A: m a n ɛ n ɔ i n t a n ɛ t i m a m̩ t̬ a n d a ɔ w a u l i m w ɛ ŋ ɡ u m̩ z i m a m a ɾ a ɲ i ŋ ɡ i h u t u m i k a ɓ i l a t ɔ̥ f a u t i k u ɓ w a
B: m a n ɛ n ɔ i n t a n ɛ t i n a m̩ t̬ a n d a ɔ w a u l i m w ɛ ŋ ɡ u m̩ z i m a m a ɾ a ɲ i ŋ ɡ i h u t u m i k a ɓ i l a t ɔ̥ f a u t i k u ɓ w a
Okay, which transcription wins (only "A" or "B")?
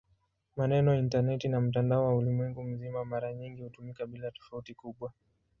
B